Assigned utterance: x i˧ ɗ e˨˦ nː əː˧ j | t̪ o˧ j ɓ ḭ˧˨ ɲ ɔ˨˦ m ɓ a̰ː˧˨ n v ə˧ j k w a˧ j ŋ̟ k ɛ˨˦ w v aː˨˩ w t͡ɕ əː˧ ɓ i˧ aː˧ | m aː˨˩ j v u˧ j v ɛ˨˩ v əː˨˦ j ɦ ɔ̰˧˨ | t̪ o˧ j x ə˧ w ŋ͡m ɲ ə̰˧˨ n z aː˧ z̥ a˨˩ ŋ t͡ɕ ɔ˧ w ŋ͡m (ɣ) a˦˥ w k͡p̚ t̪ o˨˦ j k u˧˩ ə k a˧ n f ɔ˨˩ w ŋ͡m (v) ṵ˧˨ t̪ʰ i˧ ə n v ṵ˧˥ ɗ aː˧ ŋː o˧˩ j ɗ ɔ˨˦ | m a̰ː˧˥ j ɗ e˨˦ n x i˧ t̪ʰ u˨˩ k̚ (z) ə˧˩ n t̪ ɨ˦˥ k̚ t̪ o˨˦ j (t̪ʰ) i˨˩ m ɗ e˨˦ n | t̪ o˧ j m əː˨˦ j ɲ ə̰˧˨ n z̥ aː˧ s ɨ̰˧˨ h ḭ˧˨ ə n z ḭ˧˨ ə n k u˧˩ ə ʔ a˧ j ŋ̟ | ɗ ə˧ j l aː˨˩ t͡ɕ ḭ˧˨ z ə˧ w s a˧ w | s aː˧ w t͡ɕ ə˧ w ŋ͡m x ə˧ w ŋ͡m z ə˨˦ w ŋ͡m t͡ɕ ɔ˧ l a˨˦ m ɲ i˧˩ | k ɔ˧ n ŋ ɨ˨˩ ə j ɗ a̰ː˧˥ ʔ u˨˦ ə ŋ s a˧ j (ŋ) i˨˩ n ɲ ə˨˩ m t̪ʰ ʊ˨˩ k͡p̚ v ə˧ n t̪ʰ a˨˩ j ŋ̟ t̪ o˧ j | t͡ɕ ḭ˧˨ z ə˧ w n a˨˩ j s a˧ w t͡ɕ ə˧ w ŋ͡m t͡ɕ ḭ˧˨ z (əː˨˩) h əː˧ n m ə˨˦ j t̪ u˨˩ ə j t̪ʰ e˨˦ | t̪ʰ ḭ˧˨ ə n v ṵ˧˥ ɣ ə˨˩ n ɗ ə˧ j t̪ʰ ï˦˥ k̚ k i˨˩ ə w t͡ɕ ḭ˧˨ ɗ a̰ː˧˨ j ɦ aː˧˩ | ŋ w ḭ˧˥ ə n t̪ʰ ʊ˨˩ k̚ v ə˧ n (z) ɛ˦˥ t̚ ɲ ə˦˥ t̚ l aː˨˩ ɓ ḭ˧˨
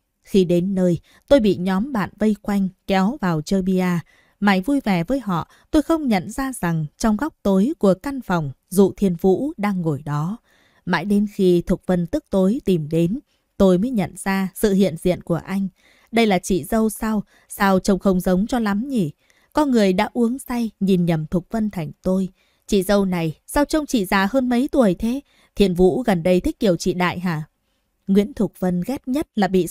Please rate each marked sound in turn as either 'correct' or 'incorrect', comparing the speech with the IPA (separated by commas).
correct, incorrect, incorrect, incorrect, incorrect, incorrect, incorrect